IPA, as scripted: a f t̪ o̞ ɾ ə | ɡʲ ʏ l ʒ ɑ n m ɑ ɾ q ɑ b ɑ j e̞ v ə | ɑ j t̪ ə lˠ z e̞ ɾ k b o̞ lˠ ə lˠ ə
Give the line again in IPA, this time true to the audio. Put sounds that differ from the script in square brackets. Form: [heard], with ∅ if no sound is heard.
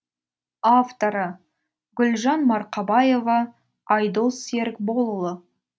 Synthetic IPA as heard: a f t̪ o̞ ɾ ə | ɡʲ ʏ l ʒ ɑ n m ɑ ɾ q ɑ b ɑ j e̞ v [ɑ] | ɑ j [d̪] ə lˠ [s] e̞ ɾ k b o̞ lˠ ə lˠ ə